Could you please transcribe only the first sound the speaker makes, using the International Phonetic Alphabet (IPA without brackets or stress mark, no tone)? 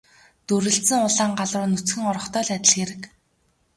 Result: t̪